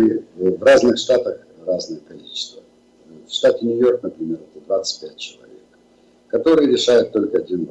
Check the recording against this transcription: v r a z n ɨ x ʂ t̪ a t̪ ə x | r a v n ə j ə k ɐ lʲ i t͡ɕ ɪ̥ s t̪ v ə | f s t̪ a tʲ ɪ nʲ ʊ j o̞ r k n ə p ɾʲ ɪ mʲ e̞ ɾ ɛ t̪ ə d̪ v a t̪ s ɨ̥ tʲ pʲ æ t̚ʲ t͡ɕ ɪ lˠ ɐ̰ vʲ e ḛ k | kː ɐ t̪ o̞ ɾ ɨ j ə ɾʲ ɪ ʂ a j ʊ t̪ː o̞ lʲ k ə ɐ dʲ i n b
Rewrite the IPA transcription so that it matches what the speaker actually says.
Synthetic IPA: v r a z n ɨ x ʂ t̪ a t̪ ə x | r a z n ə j ə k ɐ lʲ i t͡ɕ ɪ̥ s t̪ v ə | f ʂ t̪ a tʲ ɪ nʲ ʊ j o̞ r k n ə p ɾʲ ɪ mʲ e̞ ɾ ɛ t̪ ə d̪ v a t̪ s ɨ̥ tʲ pʲ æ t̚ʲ t͡ɕ ɪ lˠ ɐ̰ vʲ e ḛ k | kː ɐ t̪ o̞ ɾ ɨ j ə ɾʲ ɪ ʂ a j ʊ t̪ː o̞ lʲ k ə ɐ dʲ i n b